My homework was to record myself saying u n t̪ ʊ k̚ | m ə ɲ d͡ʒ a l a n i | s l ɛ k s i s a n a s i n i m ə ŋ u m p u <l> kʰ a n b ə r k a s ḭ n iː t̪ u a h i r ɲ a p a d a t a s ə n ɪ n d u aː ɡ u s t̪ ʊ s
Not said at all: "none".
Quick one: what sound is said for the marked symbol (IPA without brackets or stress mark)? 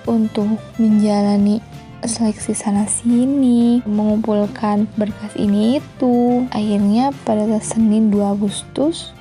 l